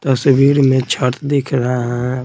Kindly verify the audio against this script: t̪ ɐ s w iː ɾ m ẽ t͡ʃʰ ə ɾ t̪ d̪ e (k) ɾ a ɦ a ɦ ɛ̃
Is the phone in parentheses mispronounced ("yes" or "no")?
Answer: yes